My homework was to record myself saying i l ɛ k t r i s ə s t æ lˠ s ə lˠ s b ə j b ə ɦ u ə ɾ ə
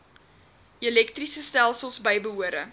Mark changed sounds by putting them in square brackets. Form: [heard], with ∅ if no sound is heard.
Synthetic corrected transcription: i l ɛ k t r i s ə s t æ lˠ s ə lˠ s b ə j b ə ɦ u ə ɾ ə